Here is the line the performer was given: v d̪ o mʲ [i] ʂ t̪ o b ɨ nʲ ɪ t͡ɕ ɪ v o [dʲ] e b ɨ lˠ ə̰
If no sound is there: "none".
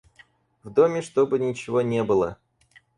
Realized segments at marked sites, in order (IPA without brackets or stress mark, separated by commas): ɪ, nʲ